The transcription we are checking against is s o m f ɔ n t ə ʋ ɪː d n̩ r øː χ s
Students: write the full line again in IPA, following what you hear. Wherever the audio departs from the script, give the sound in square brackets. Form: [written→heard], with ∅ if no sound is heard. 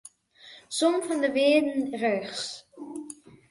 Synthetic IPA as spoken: s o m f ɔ n [t→d] ə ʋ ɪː d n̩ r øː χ s